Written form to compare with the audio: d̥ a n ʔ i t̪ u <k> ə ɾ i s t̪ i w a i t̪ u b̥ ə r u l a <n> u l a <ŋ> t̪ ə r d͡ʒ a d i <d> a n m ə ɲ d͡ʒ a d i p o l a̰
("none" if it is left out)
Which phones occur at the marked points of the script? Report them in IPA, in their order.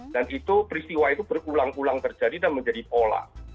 p, ŋ, ŋ, d

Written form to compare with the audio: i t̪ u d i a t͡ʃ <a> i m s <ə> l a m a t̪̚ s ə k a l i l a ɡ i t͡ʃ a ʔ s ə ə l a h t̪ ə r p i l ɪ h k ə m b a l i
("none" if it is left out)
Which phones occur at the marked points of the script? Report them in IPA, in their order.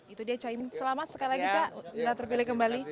a, ə

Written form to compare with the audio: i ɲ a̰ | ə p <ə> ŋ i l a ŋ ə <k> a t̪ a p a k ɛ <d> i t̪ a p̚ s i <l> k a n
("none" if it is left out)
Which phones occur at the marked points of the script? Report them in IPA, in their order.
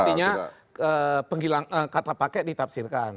ə, k, d, r

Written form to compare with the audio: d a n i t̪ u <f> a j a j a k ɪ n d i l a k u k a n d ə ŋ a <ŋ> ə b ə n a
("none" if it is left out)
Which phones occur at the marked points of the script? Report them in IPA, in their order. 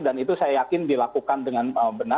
s, n

